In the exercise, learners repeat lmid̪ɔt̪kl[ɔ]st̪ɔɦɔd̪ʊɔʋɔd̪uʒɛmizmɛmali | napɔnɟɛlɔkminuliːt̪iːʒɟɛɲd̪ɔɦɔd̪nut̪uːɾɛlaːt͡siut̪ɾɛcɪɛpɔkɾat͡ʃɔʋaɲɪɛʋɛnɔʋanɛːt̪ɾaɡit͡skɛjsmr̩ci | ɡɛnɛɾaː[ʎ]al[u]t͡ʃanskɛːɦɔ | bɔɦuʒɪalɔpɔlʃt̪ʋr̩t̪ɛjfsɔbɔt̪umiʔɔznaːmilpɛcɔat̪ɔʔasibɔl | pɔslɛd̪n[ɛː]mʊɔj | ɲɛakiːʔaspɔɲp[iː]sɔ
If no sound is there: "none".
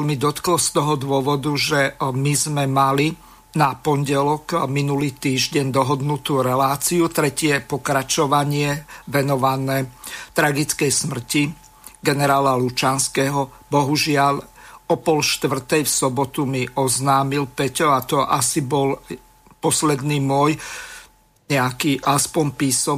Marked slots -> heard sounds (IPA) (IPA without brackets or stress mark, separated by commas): ɔ, l, u, iː, iː